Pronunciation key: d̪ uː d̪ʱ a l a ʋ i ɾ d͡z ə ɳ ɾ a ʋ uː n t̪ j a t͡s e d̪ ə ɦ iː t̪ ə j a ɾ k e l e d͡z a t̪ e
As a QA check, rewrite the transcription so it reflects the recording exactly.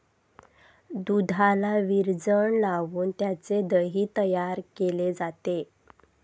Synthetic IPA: d̪ u d̪ʱ a l a ʋ i ɾ d͡z ə ɳ l a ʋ uː n t̪ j a t͡s e d̪ ə ɦ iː t̪ ə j a ɾ k e l e d͡z a t̪ e